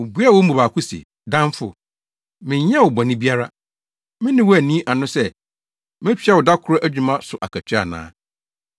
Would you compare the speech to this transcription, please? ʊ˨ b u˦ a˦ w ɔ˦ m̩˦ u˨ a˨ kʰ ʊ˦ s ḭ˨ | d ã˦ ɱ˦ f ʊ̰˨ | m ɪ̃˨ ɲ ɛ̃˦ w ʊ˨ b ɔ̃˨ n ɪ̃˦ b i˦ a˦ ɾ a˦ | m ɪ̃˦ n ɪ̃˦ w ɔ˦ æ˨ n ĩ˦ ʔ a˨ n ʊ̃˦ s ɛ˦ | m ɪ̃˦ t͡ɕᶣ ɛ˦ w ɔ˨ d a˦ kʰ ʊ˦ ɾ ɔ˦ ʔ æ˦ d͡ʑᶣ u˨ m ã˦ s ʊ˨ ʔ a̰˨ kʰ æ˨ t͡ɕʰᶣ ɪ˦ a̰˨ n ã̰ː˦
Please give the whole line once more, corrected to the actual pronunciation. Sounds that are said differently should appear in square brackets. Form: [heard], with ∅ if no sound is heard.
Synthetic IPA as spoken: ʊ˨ b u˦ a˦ w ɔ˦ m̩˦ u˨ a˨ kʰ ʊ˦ s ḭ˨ | d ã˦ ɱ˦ f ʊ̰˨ | m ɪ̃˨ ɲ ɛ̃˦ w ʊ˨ b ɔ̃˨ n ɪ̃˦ b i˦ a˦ ɾ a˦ | m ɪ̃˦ n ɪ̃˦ w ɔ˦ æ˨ n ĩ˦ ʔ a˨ n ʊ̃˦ s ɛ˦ | m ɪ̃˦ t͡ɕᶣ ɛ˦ w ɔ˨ d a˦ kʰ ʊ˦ ɾ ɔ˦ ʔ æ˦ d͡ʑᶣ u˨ m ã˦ s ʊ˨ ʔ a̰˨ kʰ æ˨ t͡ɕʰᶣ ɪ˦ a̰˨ n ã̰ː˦